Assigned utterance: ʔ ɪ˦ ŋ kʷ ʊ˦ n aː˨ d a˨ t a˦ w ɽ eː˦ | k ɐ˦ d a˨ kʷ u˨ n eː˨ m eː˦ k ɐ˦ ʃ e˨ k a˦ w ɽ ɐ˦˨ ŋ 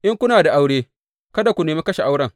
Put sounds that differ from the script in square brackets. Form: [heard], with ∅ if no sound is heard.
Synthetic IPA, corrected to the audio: ʔ ɪ˦ ŋ kʷ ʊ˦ n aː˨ d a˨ [ʔ] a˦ w ɽ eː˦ | k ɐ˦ d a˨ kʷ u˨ n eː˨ m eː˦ k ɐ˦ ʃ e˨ [ʔ] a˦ w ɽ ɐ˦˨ ŋ